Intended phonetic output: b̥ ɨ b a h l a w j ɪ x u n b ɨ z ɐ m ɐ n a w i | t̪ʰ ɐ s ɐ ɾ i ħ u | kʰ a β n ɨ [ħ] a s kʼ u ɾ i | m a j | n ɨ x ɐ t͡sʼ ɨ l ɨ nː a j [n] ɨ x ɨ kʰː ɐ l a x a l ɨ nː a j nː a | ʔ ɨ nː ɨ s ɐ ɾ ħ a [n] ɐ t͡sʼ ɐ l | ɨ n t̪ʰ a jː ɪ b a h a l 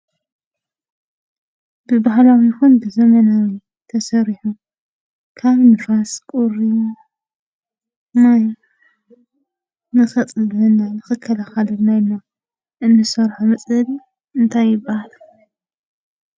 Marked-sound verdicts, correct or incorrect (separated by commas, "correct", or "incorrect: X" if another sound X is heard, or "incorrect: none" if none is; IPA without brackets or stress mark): incorrect: f, correct, incorrect: m